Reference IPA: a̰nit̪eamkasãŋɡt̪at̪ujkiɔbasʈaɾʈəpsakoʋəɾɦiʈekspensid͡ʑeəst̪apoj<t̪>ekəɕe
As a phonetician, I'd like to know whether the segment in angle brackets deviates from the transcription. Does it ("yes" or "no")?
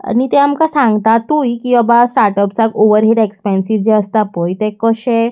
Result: no